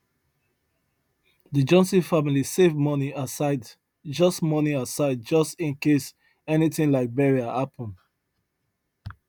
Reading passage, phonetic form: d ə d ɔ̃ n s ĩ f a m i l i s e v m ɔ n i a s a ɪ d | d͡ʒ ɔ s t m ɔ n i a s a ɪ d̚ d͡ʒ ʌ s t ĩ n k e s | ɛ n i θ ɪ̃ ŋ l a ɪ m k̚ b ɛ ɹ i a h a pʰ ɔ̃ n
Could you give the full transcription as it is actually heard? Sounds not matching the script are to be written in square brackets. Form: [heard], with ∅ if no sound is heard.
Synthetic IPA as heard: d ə [d͡ʒ] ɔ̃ n s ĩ f a m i l i s e v m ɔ n i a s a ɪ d | d͡ʒ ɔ s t m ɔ n i a s a ɪ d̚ d͡ʒ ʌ s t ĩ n k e s | ɛ n i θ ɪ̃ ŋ l a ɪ [∅] k̚ b ɛ ɹ i a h a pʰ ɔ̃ n